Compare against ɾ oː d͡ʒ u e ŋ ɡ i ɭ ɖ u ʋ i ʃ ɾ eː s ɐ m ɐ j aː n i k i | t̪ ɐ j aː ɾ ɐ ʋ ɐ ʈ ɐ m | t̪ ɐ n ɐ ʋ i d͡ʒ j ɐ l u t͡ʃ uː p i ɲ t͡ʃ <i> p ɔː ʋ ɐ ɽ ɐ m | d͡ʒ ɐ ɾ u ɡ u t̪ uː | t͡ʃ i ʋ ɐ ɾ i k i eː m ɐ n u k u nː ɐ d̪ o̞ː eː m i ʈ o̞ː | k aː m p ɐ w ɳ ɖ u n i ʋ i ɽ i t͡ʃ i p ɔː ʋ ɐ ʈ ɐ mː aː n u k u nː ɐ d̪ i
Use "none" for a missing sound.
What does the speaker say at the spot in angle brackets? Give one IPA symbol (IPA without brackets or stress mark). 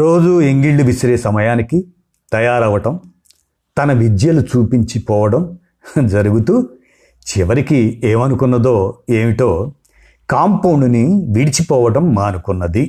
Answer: i